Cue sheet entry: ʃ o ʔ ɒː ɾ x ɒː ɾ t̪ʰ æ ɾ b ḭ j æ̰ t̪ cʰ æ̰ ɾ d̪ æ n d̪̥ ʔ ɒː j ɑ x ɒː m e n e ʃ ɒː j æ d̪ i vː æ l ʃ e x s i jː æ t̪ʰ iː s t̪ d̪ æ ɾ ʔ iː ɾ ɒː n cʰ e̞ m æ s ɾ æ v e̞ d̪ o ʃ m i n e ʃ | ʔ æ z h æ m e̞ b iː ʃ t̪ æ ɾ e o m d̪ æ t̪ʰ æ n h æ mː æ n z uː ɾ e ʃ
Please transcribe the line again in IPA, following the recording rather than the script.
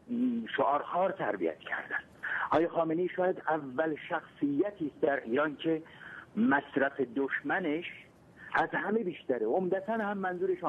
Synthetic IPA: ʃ o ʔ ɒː ɾ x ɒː ɾ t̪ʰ æ ɾ b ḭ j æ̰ t̪ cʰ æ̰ ɾ d̪ æ n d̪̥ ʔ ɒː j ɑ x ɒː m e n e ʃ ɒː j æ d̪ æ vː æ l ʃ æ x s i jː æ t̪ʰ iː s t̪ d̪ æ ɾ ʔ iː ɾ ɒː n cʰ e̞ m æ s ɾ æ f e̞ d̪ o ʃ m æ n e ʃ | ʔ æ z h æ m e̞ b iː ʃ t̪ æ ɾ e o m d̪ æ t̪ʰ æ n h æ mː æ n z uː ɾ e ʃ